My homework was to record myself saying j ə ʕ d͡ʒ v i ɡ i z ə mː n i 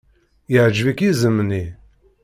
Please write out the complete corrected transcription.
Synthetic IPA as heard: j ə ʕ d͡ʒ v i k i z ə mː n i